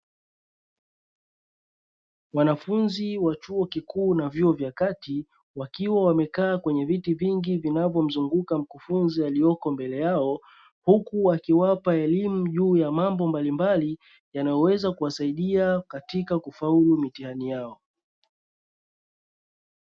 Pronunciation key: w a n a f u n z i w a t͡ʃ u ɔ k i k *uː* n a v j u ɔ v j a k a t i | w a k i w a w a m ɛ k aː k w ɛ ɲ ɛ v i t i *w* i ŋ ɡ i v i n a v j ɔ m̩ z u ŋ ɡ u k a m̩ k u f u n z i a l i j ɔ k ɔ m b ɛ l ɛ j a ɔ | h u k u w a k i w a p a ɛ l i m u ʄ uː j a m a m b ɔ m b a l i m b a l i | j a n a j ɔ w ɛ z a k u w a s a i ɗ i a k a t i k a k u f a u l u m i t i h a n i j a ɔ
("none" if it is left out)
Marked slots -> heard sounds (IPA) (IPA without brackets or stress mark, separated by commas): uː, v